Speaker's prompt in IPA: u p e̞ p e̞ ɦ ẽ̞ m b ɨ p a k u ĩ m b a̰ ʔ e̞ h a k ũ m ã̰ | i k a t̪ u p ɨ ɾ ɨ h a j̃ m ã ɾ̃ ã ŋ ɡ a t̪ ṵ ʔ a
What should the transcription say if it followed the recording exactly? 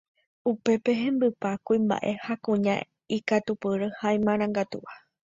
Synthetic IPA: u p e̞ p e̞ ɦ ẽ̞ m b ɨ p a k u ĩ m b a̰ ʔ e̞ h a k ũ ɲ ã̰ | i k a t̪ u p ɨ ɾ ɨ h a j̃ m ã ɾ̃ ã ŋ ɡ a t̪ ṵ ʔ a